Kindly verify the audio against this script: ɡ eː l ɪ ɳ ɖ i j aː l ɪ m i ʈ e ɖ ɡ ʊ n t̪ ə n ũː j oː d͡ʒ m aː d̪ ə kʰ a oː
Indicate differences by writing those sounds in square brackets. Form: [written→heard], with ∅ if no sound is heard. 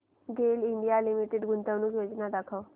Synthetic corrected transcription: ɡ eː l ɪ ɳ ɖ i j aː l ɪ m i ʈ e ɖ ɡ ʊ n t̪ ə n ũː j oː d͡ʒ [m→n] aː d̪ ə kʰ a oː